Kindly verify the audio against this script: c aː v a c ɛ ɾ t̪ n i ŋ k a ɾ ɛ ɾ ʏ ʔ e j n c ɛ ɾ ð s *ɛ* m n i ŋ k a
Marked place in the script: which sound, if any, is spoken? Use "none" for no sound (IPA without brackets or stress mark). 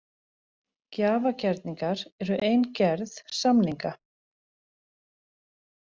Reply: a